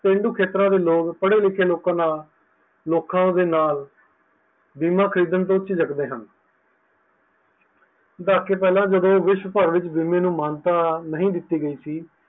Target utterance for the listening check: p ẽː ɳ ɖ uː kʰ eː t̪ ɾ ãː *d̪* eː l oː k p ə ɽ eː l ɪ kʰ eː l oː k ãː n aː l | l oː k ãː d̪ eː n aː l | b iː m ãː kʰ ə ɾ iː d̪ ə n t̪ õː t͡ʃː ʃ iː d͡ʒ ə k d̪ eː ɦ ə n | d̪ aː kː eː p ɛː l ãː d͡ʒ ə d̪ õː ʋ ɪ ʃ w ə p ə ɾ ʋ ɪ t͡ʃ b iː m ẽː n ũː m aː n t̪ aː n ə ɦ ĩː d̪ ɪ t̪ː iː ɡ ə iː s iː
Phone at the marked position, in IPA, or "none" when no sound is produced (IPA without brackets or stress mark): d̪